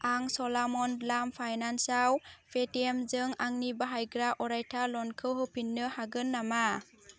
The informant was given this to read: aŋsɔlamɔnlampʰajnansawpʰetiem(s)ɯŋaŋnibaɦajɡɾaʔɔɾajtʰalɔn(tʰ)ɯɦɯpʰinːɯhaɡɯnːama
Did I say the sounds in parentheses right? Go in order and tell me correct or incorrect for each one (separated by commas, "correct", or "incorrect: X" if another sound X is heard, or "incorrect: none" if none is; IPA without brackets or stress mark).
incorrect: z, incorrect: kʰ